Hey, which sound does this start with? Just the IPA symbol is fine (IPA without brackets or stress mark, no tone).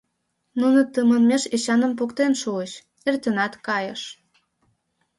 n